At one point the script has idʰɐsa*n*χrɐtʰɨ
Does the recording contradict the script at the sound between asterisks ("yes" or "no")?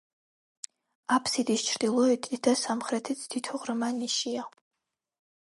yes